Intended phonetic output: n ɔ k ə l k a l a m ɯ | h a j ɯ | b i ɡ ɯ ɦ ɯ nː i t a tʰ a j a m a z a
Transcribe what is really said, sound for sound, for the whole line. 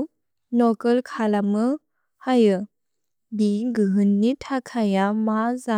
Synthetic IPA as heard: n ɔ k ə l kʰ a l a m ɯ | h a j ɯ | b i ɡ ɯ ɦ ɯ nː i tʰ a kʰ a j a m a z a